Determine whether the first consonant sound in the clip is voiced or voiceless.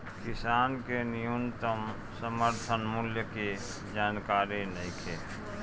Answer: voiceless